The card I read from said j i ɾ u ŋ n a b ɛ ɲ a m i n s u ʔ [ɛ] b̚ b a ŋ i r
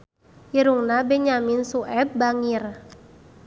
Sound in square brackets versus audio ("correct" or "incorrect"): correct